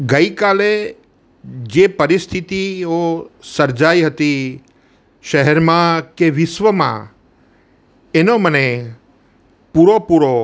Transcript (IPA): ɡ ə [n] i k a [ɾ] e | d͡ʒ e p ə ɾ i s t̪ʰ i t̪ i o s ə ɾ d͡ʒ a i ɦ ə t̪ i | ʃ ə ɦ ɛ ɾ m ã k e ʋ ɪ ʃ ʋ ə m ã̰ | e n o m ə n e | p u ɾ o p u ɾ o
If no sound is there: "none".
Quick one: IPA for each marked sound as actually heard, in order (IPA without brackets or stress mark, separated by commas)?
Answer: none, l